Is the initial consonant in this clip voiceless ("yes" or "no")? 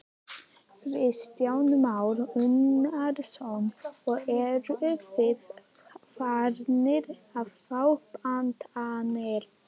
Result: no